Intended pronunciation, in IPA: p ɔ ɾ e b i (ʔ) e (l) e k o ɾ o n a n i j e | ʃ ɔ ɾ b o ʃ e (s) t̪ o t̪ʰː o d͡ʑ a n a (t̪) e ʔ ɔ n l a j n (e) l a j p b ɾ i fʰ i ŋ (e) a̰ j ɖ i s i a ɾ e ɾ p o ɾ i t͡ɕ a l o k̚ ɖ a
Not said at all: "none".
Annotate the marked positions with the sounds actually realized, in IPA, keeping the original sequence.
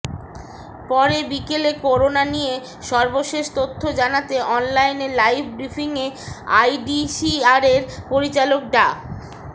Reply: k, l, ʃ, t̪, e, e

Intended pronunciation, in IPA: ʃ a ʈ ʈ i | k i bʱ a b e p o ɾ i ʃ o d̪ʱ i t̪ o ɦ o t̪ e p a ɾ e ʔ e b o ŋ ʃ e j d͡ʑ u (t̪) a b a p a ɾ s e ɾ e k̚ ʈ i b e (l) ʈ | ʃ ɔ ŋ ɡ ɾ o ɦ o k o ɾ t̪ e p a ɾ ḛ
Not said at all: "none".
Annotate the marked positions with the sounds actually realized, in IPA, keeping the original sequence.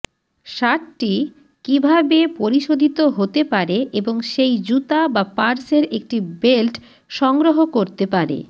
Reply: t̪, l

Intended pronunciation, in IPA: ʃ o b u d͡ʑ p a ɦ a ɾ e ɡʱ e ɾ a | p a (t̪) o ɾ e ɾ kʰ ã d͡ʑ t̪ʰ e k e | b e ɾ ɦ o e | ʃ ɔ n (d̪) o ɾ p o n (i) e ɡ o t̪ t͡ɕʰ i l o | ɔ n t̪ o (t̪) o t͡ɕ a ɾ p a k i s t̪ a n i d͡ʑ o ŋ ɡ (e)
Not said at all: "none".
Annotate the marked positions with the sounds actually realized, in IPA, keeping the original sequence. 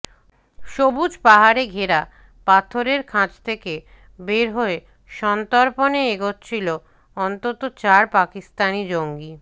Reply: t̪ʰ, t̪, e, t̪, i

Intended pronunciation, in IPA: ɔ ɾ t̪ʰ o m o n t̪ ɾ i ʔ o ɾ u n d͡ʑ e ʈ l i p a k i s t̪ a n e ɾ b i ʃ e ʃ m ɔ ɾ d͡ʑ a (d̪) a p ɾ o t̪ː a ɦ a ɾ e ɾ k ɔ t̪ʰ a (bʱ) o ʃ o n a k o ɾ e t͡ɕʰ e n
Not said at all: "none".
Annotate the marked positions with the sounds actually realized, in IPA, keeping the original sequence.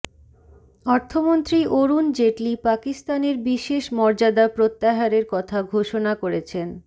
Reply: d̪, ɡʱ

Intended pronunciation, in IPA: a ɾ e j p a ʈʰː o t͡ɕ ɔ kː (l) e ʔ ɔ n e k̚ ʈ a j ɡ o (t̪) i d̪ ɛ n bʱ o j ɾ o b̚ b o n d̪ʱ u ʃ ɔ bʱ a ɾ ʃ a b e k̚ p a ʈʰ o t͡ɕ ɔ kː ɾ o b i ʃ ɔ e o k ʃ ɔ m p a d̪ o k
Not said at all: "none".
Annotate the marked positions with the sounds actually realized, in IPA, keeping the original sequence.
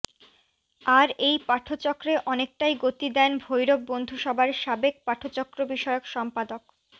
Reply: ɾ, t̪

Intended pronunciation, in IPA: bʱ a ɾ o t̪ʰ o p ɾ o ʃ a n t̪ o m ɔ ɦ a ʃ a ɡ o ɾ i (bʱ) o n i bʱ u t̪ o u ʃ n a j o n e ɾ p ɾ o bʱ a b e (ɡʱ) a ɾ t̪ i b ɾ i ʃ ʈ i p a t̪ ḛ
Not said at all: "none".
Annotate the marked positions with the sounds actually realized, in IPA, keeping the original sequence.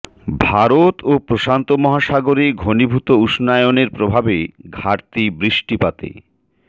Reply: ɡʱ, ɡʱ

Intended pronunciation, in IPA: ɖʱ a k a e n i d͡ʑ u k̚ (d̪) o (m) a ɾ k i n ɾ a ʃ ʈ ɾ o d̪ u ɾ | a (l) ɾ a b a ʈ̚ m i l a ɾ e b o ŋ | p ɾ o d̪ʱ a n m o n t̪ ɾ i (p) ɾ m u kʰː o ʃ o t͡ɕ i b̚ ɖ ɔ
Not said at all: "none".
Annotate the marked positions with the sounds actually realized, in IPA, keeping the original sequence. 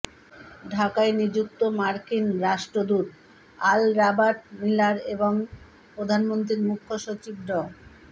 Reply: t̪, m, l, none

